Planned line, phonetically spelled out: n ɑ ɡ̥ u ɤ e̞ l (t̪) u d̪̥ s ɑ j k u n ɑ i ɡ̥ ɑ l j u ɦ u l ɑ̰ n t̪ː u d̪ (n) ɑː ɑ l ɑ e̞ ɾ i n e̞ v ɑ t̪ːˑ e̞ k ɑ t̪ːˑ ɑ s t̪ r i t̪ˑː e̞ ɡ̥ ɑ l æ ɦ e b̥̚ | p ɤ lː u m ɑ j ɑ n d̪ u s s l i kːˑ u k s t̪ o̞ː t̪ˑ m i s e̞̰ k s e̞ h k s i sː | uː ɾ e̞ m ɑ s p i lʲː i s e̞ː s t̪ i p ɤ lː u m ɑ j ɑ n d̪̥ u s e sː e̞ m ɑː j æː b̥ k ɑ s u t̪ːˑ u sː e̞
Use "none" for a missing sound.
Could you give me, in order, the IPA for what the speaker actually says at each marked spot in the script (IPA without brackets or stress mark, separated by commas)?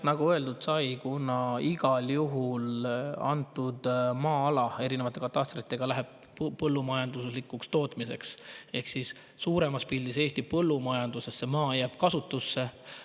d̪, m